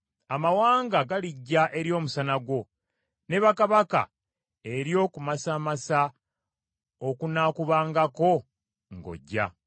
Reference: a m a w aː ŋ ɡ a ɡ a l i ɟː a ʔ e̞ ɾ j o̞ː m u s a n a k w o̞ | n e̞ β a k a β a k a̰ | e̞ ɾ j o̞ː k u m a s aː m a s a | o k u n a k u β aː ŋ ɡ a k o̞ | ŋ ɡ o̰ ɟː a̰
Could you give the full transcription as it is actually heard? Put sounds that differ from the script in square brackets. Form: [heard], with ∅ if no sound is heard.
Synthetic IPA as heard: a m a w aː ŋ ɡ a ɡ a l i ɟː a ʔ e̞ ɾ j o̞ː m u s a n a [ɡ] w o̞ | n e̞ β a k a β a k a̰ | e̞ ɾ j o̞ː k u m a s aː m a s a | o k u n a k u β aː ŋ ɡ a k o̞ | ŋ ɡ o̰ ɟː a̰